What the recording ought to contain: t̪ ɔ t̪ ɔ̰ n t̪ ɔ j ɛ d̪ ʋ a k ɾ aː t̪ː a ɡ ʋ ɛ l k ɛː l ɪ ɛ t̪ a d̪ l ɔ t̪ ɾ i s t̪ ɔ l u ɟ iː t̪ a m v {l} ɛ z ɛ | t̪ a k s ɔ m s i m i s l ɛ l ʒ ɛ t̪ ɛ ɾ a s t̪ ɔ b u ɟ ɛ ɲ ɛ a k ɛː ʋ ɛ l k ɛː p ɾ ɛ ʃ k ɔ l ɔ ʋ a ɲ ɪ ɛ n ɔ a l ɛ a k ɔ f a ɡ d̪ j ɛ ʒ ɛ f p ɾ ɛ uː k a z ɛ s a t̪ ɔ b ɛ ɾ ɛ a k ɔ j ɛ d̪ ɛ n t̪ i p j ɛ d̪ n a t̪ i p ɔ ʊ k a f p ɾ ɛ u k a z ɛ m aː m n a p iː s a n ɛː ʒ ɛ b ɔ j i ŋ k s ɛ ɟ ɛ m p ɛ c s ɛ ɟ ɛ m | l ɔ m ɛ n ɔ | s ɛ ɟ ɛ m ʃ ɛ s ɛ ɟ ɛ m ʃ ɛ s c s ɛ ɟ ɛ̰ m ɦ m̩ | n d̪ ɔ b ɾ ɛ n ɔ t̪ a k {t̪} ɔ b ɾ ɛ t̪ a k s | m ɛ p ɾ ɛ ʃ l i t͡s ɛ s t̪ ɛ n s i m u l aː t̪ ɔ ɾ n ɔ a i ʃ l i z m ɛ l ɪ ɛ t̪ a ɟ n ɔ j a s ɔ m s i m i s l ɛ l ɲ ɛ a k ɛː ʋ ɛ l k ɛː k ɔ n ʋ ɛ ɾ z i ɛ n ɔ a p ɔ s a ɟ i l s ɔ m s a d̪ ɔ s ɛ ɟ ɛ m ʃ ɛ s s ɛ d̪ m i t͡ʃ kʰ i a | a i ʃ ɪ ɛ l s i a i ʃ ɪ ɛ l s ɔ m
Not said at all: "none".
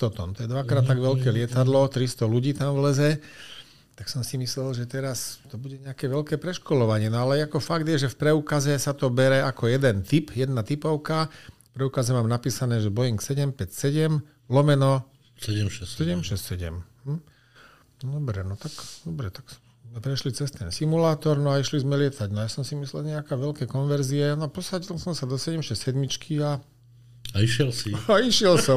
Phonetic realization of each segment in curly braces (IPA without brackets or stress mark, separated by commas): l, d̪